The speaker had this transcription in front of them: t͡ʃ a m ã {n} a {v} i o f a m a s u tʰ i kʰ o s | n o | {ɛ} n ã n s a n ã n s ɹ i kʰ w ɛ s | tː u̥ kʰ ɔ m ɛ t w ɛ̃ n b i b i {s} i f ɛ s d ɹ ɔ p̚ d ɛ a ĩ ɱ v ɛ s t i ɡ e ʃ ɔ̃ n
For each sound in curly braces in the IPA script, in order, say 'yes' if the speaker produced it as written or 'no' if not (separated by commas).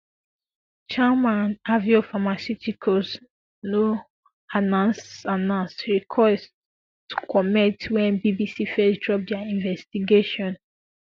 yes, yes, no, yes